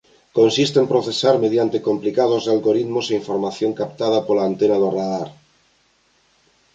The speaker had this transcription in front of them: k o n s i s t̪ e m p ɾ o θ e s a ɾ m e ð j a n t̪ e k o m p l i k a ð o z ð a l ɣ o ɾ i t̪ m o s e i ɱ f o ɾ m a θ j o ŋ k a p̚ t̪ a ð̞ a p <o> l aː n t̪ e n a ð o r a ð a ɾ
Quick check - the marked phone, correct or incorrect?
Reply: correct